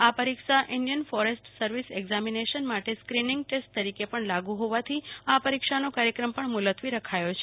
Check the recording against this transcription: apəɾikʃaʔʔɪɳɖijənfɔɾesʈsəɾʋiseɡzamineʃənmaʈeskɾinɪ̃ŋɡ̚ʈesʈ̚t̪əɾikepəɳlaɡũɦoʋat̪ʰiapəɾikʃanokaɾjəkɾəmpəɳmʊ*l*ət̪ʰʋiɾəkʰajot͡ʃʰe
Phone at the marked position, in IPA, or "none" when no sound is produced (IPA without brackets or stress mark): l